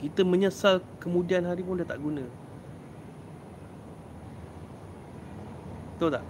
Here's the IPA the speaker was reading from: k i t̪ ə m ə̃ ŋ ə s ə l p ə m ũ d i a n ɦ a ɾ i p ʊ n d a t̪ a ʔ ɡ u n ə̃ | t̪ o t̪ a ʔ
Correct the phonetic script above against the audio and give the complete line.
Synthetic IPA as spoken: k i t̪ ə m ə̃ ɲ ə s a l k ə m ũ d i a n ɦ a ɾ i p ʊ n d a t̪ a ʔ ɡ u n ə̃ | t̪ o t̪ a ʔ